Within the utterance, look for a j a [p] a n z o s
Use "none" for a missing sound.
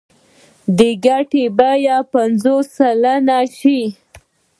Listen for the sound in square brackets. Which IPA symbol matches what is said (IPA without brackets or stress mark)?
p